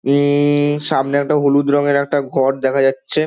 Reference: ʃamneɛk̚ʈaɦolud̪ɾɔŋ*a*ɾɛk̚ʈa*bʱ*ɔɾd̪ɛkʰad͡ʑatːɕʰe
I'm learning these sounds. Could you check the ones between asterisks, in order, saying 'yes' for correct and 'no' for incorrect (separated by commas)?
no, no